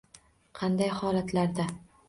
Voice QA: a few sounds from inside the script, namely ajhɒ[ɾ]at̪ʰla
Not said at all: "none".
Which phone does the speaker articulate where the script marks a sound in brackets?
l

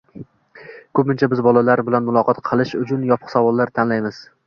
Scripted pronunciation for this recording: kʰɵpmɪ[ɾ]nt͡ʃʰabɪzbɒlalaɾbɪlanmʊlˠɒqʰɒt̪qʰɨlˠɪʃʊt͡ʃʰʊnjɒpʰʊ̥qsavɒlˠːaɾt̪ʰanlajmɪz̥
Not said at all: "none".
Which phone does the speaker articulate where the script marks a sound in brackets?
none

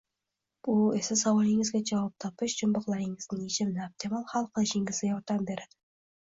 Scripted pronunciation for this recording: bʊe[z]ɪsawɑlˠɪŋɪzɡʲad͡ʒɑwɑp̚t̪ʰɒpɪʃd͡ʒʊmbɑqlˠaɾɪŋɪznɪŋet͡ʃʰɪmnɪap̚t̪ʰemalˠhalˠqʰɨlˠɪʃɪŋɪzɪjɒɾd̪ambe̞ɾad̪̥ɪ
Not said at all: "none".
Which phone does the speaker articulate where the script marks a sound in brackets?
s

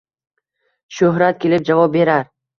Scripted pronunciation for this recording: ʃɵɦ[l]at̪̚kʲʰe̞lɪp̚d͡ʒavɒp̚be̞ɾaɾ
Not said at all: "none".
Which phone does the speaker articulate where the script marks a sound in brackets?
ɾ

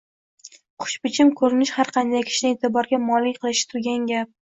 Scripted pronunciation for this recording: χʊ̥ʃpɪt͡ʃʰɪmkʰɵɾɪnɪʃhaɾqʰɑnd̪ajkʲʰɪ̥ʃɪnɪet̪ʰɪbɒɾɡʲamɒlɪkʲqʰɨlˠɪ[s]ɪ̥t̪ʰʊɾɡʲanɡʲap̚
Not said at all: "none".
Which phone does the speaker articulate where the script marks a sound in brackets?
ʃ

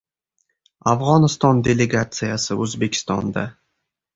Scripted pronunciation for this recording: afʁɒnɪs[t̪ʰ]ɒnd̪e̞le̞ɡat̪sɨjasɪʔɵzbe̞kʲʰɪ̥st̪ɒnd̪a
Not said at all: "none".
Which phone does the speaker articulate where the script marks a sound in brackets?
t̪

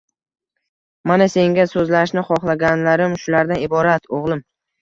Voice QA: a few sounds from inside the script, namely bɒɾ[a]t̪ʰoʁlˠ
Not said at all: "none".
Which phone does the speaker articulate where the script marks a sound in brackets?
a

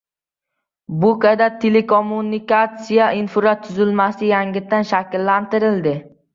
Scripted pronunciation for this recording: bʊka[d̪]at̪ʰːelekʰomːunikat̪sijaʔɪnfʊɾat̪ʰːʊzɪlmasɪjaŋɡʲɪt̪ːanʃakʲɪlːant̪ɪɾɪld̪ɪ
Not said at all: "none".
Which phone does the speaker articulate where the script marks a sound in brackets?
d̪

